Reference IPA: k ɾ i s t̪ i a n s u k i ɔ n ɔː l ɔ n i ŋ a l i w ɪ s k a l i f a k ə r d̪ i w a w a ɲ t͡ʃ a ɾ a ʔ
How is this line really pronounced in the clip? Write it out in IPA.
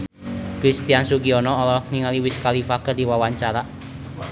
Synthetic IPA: k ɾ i s t̪ i a n s u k i ɔ n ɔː l ɔ n i ŋ a l i w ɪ s k a l i f a k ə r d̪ i w a w a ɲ t͡ʃ a ɾ a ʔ